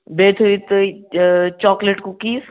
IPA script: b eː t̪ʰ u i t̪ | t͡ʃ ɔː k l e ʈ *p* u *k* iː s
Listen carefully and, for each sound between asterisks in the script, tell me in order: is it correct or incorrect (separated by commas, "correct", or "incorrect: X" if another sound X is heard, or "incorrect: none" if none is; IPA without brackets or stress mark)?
incorrect: k, correct